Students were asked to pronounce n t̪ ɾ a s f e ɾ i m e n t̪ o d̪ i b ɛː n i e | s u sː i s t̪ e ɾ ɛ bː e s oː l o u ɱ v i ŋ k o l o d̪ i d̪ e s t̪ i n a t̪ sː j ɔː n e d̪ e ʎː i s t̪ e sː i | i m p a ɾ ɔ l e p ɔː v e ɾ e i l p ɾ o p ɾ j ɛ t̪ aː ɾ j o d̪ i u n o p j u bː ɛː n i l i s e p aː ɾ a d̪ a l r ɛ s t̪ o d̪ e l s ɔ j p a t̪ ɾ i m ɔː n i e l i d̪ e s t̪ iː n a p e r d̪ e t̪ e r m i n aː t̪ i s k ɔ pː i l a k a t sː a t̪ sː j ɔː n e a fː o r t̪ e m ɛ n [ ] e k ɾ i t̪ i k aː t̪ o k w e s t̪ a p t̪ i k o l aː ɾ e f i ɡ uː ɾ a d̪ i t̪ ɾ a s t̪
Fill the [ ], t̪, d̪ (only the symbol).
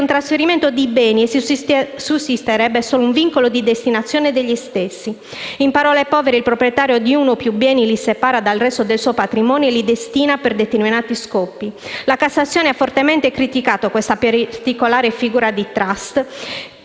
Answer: t̪